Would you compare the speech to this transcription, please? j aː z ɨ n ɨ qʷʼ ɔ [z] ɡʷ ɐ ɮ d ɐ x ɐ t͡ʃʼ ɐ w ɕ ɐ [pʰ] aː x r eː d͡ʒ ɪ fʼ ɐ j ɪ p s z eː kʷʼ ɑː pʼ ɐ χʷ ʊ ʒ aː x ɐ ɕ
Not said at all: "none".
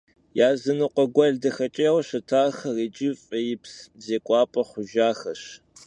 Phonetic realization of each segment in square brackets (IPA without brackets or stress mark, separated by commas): none, tʰ